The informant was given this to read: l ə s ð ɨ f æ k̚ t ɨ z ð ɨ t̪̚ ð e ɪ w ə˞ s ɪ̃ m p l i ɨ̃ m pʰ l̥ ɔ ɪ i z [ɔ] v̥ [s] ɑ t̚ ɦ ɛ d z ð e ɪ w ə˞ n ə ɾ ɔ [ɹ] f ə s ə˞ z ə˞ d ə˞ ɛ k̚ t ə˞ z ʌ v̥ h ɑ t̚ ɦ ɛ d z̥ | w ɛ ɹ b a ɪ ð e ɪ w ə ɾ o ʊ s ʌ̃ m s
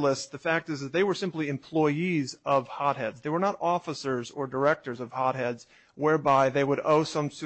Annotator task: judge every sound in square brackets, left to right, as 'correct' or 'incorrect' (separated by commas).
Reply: incorrect, incorrect, incorrect